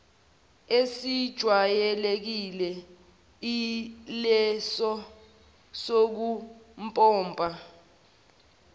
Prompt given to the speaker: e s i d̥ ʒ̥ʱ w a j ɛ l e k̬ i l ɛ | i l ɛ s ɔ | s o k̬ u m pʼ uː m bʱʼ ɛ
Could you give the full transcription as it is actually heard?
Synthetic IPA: e s i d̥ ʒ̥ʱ w a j ɛ l e k̬ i l ɛ | i l ɛ s ɔ | s o k̬ u m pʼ ɔː m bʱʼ a